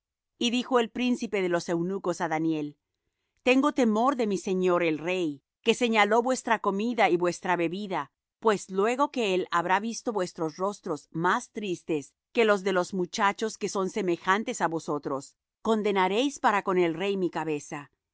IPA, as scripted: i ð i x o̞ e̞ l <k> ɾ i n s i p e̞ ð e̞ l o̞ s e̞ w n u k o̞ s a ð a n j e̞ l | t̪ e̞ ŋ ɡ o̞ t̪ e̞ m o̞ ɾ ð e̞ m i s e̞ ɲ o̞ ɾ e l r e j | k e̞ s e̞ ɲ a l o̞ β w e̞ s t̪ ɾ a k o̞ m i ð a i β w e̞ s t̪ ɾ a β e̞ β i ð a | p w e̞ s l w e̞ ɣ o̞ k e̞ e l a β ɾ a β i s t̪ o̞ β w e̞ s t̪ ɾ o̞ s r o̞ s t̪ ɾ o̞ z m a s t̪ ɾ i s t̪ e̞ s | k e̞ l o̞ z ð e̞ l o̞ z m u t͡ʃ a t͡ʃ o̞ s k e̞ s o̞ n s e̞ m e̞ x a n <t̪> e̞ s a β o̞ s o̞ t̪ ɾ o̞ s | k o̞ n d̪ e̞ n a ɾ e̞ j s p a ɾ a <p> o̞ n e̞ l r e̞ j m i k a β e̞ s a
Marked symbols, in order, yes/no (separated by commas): no, yes, no